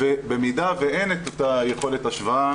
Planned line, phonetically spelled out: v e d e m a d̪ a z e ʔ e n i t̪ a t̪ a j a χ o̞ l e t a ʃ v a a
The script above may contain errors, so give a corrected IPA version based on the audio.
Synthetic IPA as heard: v e b e m i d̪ a v e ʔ e n e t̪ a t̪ a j e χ o̞ l e t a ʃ v a a